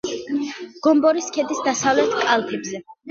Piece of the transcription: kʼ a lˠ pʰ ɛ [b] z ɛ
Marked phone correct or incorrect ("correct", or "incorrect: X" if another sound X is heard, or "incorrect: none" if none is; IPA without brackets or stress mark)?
correct